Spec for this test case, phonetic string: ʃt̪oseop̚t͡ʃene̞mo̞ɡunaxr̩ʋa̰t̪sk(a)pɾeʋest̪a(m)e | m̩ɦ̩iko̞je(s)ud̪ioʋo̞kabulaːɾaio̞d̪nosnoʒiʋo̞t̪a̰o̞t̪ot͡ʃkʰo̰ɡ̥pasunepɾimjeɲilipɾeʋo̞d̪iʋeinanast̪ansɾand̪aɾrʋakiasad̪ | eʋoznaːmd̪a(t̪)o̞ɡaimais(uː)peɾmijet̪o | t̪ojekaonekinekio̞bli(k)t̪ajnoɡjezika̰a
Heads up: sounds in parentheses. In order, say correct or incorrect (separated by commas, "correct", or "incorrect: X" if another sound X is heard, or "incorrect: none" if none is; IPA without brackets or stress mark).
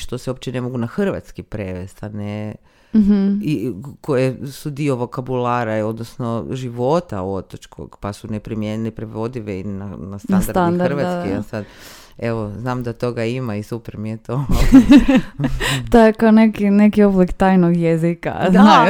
incorrect: i, incorrect: n, correct, correct, incorrect: u, correct